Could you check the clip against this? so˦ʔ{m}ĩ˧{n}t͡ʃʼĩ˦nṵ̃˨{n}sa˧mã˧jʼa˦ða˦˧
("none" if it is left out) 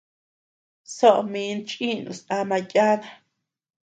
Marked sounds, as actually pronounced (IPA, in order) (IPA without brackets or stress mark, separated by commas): m, n, none